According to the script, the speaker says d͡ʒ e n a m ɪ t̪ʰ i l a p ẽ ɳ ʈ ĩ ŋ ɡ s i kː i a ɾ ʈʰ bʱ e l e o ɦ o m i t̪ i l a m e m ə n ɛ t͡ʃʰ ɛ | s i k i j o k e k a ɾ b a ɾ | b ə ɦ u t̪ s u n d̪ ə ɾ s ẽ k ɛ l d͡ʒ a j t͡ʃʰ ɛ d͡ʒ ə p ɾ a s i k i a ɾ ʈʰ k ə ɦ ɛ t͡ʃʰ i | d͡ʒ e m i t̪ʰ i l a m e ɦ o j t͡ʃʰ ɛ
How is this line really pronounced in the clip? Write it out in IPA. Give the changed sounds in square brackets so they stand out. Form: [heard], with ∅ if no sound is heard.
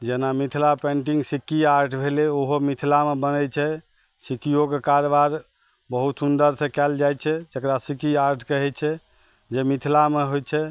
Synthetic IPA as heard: d͡ʒ e n a m [i] t̪ʰ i l a p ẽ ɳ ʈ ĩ ŋ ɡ s i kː i a ɾ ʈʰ bʱ e l e o ɦ o m i [t̪ʰ] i l a m e [b] ə n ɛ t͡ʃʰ ɛ | s i k i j o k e k a ɾ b a ɾ | b ə ɦ u t̪ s u n d̪ ə ɾ s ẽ k ɛ l d͡ʒ a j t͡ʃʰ ɛ d͡ʒ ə [k] ɾ a s i k i a ɾ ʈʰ k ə ɦ ɛ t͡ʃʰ [ɛ] | d͡ʒ e m i t̪ʰ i l a m e ɦ o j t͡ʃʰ ɛ